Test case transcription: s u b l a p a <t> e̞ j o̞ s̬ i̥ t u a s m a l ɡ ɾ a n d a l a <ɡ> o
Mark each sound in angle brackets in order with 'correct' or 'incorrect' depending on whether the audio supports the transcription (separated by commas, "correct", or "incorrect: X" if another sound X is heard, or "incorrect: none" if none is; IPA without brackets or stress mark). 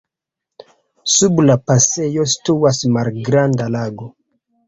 incorrect: s, correct